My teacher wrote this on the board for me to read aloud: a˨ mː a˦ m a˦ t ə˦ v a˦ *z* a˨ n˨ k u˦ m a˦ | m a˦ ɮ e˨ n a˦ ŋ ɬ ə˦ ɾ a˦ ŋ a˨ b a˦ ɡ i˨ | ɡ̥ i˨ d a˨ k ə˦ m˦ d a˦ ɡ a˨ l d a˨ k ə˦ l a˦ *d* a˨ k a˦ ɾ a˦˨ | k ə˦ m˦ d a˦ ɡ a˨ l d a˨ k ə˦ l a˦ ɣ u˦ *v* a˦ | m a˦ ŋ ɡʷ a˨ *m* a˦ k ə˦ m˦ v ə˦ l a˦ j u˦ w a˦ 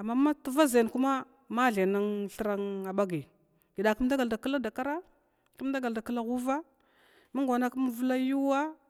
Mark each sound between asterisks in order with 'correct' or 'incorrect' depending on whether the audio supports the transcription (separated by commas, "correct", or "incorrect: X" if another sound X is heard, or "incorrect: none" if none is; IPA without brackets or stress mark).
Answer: correct, correct, correct, incorrect: n